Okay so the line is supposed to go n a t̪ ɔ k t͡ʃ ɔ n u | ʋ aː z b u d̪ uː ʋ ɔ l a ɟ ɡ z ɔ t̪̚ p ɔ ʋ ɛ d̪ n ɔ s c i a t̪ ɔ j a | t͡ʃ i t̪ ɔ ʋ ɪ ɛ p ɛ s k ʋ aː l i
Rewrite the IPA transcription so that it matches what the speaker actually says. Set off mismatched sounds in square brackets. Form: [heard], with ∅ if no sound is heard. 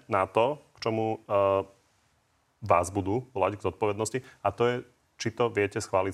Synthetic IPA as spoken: n a t̪ ɔ k t͡ʃ ɔ [m] u | ʋ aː z b u d̪ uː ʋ ɔ l a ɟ ɡ z ɔ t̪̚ p ɔ ʋ ɛ d̪ n ɔ s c i a t̪ ɔ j [ɛ] | t͡ʃ i t̪ ɔ ʋ ɪ ɛ [c] ɛ s [x] ʋ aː l i